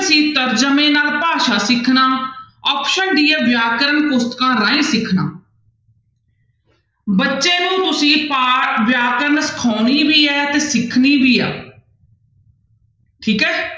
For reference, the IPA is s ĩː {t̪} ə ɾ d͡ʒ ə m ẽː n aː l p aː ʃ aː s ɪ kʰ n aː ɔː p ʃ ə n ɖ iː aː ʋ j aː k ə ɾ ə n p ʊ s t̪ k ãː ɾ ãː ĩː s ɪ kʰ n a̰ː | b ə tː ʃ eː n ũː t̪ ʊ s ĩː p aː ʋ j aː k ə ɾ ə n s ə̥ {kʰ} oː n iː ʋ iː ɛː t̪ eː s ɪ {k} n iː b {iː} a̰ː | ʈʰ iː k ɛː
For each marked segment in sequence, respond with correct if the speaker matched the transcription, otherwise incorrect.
correct, correct, incorrect: kʰ, correct

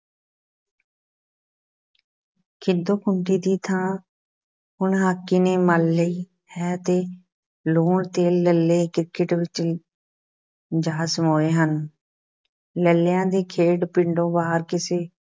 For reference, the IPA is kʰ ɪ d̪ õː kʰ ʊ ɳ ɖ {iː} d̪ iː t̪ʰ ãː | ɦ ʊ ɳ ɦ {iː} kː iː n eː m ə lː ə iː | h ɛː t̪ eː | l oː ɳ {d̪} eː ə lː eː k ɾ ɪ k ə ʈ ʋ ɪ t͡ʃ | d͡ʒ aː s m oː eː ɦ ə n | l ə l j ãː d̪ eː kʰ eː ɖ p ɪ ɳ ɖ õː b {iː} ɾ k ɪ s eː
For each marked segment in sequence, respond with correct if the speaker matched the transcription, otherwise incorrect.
correct, incorrect: aː, incorrect: t̪, incorrect: aː

